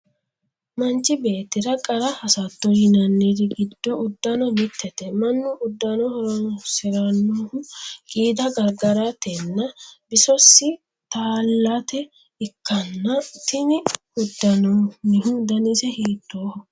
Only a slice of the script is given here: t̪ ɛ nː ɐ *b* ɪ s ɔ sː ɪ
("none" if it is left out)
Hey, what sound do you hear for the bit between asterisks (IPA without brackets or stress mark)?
b